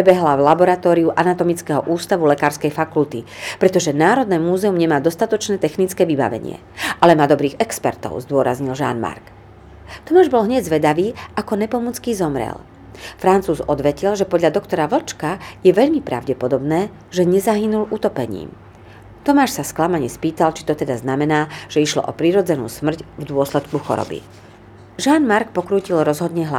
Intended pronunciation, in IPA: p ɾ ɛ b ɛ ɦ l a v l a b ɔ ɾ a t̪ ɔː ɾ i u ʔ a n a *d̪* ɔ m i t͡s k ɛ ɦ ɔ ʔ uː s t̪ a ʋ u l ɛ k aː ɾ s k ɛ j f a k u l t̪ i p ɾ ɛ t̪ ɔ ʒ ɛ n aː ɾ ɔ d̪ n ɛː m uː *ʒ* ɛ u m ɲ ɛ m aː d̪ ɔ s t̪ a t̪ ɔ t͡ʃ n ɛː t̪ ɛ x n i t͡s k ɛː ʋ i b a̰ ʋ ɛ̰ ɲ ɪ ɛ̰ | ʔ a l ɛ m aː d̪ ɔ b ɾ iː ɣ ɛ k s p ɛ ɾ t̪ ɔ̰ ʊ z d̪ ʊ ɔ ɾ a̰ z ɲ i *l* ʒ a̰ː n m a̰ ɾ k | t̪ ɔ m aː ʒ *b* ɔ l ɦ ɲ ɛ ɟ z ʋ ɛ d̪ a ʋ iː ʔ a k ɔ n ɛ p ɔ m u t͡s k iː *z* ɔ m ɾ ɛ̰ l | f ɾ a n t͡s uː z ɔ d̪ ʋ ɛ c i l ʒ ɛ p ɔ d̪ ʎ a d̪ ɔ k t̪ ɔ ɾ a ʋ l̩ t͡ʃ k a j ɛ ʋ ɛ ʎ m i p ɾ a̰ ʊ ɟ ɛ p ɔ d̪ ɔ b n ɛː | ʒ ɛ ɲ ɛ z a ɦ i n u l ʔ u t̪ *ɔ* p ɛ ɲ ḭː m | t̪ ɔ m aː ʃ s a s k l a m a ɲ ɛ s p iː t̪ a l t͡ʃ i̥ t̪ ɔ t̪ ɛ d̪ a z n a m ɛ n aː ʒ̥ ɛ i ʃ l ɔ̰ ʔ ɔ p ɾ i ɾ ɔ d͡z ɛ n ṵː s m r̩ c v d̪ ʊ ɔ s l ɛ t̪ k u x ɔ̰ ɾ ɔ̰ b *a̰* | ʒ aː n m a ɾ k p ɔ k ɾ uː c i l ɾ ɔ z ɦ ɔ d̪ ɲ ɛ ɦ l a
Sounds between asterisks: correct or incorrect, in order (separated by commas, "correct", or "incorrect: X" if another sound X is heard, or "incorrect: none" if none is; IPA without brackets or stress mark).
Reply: incorrect: t̪, incorrect: z, correct, correct, correct, correct, incorrect: ḭ